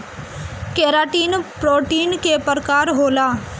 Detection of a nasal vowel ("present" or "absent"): absent